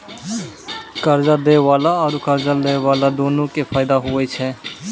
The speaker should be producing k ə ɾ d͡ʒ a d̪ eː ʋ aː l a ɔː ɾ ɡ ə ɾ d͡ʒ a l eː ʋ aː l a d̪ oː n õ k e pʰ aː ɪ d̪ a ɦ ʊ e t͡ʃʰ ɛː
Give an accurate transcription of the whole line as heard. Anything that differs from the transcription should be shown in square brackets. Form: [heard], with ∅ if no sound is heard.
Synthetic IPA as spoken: k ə ɾ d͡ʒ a d̪ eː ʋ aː l a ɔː ɾ [k] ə ɾ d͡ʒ a l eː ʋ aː l a d̪ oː n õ k e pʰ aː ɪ d̪ a ɦ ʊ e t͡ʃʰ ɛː